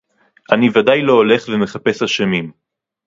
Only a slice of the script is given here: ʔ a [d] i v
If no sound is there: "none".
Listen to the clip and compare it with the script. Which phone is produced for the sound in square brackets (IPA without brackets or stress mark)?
n